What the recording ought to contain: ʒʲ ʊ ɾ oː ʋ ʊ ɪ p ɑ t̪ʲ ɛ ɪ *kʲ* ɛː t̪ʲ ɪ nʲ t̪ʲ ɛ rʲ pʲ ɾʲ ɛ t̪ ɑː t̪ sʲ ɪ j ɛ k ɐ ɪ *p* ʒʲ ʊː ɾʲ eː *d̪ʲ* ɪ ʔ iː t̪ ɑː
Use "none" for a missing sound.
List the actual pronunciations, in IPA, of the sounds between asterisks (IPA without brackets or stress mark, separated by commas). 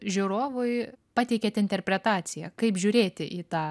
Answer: kʲ, p, t̪ʲ